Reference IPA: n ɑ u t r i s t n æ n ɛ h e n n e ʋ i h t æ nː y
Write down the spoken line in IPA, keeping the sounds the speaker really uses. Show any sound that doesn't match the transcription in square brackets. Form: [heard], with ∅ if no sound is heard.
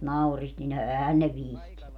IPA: n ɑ u [∅] r i s t n [i] n ɛ h [æ] n n e ʋ i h t [i] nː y